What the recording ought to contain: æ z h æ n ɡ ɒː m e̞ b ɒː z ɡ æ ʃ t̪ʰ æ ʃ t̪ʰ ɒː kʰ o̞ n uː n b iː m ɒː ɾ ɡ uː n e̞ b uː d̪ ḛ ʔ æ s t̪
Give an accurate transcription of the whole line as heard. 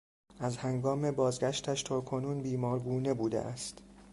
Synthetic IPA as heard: æ z h æ ŋ ɡ ɒː m e̞ b ɒː z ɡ æ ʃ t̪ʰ æ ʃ t̪ʰ ɒː kʰ o̞ n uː n b iː m ɒː ɾ ɡ uː n e̞ b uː d̪ ḛ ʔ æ s t̪